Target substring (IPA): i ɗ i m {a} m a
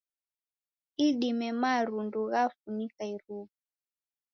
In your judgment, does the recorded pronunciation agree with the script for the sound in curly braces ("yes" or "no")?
no